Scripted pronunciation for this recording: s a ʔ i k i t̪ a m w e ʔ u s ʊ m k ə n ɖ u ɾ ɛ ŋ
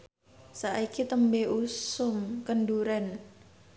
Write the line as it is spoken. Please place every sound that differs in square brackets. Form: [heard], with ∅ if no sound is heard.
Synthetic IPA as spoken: s a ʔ i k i t̪ [ə] m [b] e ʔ u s ʊ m k ə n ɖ u ɾ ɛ [n]